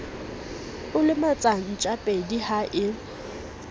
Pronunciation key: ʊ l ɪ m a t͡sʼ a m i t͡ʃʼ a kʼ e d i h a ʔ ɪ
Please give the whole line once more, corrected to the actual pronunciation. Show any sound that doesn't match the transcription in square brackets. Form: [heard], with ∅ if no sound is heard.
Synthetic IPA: ʊ l ɪ m a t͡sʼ a [ŋ] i t͡ʃʼ a [pʼ] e d i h a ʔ ɪ